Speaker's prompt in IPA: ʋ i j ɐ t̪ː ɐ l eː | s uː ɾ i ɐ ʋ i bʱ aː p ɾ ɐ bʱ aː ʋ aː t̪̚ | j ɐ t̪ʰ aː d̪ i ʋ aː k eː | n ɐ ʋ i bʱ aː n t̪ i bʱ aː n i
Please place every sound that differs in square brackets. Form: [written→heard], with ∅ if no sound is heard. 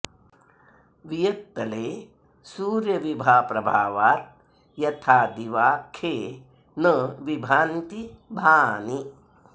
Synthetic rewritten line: ʋ i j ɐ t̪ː ɐ l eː | s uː ɾ [i→j] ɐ ʋ i bʱ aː p ɾ ɐ bʱ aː ʋ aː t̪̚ | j ɐ t̪ʰ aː d̪ i ʋ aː [k→kʰ] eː | n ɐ ʋ i bʱ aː n t̪ i bʱ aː n i